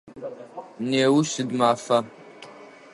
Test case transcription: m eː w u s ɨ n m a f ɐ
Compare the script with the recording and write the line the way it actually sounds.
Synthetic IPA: n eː w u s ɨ d m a f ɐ